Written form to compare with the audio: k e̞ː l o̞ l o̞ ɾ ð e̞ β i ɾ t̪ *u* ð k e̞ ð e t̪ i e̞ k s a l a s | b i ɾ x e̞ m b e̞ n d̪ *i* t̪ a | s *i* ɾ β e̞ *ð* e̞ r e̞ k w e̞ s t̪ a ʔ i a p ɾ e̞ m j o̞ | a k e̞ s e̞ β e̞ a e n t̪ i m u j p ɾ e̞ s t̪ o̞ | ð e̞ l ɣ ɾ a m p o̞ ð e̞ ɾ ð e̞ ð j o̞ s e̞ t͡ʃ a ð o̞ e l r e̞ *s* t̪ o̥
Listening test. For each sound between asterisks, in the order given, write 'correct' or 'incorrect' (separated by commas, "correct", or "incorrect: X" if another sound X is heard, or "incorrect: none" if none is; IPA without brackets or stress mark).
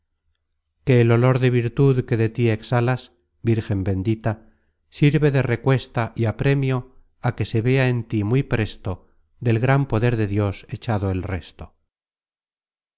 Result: correct, correct, correct, correct, correct